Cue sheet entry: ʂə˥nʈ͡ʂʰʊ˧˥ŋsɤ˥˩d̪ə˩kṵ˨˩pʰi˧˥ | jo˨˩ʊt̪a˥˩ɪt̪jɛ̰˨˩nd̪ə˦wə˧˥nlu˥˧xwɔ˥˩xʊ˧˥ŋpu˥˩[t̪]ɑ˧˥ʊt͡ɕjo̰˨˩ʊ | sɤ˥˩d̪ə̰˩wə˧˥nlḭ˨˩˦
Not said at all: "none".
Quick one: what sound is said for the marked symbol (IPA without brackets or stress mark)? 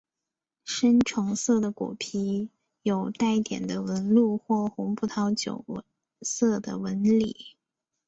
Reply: t̪ʰ